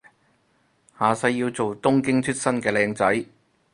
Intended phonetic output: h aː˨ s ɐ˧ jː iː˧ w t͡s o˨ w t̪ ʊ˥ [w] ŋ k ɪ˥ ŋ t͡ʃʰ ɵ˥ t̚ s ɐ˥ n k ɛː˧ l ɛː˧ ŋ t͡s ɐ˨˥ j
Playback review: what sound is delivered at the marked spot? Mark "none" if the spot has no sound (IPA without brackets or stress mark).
none